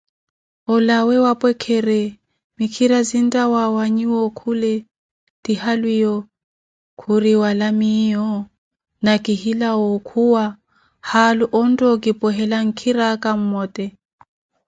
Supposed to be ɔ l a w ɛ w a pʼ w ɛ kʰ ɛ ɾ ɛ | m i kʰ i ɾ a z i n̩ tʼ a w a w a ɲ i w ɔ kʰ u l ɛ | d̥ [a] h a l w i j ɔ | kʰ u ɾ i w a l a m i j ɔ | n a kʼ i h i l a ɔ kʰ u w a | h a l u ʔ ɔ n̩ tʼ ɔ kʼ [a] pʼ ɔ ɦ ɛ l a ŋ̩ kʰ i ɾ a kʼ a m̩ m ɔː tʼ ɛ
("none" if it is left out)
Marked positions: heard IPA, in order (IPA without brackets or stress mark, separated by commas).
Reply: i, i